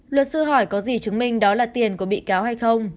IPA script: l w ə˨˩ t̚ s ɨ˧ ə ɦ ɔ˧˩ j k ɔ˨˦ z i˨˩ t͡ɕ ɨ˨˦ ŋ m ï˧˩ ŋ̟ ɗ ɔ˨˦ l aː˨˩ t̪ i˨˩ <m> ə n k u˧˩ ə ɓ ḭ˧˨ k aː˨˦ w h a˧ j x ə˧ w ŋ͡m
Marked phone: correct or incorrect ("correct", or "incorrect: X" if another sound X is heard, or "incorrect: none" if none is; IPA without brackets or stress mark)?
incorrect: none